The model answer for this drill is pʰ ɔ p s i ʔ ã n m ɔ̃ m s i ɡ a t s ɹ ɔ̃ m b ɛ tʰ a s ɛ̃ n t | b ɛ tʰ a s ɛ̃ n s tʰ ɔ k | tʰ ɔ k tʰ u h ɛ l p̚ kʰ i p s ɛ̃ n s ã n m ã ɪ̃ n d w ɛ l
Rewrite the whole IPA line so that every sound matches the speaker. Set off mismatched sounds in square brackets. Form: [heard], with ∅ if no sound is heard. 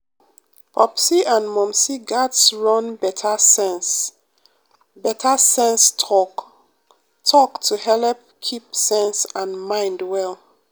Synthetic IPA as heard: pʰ ɔ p s i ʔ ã n m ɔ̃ m s i ɡ a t s ɹ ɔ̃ [n] b ɛ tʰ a s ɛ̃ n [s] | b ɛ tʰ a s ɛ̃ n s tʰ ɔ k | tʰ ɔ k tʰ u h ɛ l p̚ kʰ i p s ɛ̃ n s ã n m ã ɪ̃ n d w ɛ l